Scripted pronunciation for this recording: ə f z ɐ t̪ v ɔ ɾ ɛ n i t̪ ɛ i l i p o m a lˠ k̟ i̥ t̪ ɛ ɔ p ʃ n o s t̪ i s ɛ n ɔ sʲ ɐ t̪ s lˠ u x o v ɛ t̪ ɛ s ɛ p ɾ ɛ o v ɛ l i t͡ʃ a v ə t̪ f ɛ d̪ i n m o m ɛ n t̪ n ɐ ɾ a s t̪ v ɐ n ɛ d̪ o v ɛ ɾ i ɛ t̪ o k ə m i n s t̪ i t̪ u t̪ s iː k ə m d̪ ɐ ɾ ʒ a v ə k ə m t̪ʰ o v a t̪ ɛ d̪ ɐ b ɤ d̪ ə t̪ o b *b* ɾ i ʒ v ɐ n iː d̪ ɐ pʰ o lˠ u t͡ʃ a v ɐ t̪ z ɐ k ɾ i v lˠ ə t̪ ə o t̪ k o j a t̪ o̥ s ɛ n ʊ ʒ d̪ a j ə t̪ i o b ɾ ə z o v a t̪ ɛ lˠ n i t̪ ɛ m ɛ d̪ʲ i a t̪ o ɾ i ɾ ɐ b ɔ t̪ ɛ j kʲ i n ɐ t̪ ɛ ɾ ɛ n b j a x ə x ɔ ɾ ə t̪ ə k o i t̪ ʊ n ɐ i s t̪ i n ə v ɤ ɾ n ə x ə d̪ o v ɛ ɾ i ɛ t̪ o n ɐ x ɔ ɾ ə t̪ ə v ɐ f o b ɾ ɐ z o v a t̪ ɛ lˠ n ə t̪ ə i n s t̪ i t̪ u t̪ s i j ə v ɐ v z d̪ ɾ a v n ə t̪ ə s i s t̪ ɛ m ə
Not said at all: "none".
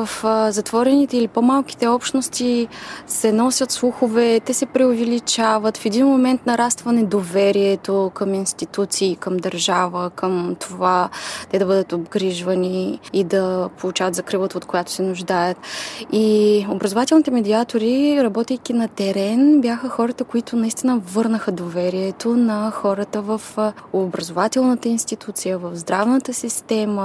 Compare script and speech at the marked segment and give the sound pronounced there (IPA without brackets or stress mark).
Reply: ɡ